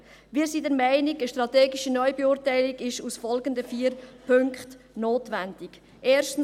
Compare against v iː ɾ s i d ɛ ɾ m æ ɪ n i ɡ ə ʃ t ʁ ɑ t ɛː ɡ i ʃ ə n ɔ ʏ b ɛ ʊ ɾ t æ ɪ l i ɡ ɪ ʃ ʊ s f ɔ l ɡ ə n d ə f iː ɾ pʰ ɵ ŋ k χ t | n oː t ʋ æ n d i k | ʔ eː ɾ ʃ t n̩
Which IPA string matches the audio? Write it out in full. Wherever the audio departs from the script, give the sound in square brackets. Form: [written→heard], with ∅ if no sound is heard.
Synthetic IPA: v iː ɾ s i d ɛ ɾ m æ ɪ n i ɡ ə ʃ t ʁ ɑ t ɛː ɡ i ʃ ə n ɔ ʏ b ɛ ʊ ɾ t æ ɪ l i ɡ ɪ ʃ [ʊ→u] s f ɔ l ɡ ə n d ə f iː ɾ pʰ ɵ ŋ k χ t | n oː t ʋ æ n d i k | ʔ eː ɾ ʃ t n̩